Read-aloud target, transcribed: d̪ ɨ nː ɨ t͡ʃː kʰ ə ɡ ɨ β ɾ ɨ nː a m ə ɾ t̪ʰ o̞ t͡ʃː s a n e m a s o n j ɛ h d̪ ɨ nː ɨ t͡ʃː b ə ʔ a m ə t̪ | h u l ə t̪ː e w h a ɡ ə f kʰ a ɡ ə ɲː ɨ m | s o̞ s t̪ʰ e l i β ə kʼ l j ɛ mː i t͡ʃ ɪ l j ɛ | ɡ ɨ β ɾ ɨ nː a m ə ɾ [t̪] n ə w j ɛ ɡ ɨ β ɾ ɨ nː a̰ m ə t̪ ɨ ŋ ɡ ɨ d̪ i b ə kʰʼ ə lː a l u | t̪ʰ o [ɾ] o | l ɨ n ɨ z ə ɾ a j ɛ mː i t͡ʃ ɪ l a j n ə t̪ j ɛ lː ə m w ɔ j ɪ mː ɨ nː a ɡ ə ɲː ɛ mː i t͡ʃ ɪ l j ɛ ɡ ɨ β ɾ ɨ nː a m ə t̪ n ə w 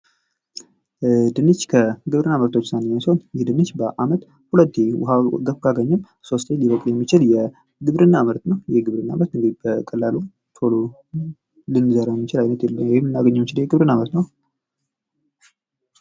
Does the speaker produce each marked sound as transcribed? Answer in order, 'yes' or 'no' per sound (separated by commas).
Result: yes, no